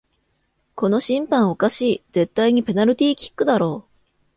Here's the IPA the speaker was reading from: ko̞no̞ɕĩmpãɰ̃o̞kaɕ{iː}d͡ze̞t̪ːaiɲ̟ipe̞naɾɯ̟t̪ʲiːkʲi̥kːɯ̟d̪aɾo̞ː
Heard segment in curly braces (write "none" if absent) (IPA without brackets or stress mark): iː